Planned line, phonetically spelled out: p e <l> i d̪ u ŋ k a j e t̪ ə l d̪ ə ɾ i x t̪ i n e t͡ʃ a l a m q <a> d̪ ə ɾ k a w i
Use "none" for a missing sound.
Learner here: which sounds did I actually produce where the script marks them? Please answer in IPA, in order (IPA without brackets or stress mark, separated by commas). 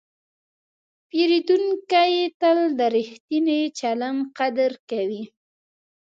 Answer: ɾ, a